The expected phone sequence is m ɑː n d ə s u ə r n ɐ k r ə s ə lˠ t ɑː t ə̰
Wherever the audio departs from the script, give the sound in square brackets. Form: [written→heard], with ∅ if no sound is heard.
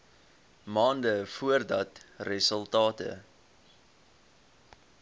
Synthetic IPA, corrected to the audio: m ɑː n d ə [s→f] u ə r [n→d] ɐ [k→t] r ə s ə lˠ t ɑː t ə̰